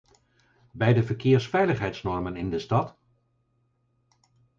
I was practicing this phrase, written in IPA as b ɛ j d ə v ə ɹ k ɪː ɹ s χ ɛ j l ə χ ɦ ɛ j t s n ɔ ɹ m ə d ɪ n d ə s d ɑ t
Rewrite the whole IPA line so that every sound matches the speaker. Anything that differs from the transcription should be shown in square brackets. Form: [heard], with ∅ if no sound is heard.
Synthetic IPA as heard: b ɛ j d ə v ə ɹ k ɪː ɹ s [f] ɛ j l ə χ ɦ ɛ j t s n ɔ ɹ m ə [n] ɪ n d ə s [t] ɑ t